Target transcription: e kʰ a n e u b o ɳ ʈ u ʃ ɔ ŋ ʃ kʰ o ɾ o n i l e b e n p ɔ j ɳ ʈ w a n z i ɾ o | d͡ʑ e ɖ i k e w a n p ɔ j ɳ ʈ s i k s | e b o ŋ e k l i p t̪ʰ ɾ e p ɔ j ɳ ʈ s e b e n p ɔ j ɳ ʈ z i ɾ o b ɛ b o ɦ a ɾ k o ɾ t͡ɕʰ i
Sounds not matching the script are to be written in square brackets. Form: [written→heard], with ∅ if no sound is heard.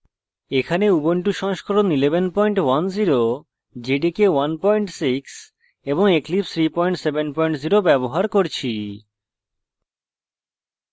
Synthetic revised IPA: e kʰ a n e u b o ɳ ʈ u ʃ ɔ ŋ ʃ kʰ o ɾ o n i l e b e n p ɔ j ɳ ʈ w a n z i ɾ o | d͡ʑ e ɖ i k e w a n p ɔ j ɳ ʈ s i k s | e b o ŋ e k l i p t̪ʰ ɾ [e→i] p ɔ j ɳ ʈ s e b e n p ɔ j ɳ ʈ z i ɾ o b ɛ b o ɦ a ɾ k o ɾ t͡ɕʰ i